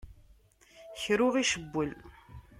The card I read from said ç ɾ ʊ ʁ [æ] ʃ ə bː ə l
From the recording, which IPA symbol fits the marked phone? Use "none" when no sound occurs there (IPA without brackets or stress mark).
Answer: i